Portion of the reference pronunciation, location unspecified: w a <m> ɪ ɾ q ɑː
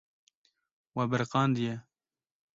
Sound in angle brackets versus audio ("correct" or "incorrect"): incorrect